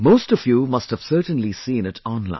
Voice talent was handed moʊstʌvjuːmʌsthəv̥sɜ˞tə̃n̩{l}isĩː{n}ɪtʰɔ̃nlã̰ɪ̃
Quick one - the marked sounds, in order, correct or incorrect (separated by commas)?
correct, correct